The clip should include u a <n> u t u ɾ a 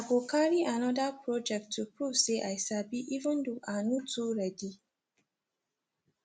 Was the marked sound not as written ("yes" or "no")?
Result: no